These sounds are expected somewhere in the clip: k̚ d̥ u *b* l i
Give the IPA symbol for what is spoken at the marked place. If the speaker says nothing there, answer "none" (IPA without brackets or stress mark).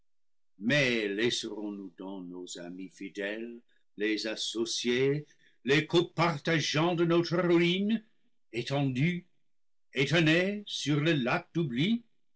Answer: b